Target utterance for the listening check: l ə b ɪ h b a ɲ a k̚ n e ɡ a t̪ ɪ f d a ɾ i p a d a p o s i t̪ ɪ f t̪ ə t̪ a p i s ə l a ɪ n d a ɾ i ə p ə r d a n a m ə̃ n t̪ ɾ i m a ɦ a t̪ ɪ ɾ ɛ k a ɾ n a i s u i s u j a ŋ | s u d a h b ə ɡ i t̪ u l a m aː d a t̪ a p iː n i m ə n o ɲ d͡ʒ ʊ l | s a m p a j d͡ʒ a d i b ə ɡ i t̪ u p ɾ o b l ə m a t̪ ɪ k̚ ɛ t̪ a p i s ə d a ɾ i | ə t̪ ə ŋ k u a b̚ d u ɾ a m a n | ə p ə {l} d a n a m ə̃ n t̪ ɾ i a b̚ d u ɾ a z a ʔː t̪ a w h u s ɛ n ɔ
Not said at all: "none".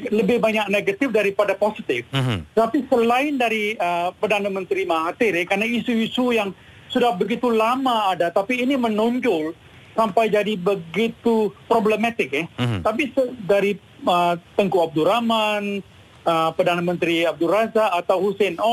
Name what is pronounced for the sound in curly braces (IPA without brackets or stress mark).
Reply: r